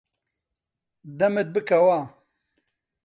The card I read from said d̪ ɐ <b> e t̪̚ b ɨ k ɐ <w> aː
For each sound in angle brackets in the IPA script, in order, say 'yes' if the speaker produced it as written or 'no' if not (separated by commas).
no, yes